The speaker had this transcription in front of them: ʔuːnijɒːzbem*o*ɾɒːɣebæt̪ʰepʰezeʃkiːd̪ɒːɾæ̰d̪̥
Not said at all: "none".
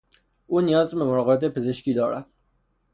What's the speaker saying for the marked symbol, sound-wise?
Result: o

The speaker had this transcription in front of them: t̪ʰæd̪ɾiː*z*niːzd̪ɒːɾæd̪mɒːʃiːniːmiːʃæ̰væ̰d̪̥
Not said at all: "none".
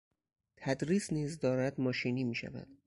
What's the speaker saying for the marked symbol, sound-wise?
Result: s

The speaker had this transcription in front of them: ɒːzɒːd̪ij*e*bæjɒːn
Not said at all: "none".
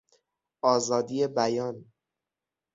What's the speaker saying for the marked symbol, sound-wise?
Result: e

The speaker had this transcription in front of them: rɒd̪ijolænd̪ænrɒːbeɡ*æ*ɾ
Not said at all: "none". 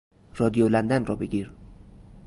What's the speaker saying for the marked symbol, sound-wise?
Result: i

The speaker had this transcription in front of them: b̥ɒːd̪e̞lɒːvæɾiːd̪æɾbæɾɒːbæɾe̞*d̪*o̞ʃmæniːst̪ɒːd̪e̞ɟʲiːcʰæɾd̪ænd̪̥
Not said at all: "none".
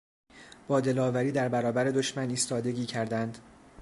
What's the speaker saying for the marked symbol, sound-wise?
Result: d̪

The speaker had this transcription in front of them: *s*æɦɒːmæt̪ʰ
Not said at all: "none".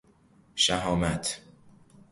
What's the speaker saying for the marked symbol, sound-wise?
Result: ʃ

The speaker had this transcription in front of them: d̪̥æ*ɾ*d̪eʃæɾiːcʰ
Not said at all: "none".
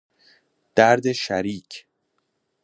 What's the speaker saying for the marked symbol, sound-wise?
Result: ɾ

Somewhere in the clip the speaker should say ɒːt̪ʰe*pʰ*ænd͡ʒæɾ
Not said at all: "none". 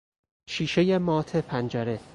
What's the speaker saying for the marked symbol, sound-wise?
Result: pʰ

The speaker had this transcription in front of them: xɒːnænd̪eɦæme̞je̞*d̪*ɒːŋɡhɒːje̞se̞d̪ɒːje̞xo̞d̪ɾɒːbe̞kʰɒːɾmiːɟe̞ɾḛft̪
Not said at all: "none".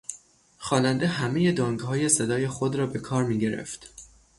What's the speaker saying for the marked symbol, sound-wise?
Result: d̪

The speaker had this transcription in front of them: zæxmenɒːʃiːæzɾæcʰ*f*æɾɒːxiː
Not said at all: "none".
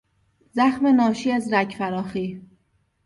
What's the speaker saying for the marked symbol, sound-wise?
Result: f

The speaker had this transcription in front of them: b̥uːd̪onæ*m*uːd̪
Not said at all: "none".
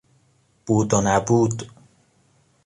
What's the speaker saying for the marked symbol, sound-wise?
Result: b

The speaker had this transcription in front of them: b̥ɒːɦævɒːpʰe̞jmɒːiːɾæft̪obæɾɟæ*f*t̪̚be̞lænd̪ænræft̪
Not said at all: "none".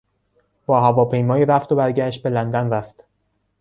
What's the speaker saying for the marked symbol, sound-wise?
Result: ʃ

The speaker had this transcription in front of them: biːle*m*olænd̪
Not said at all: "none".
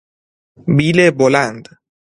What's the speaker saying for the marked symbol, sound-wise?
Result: b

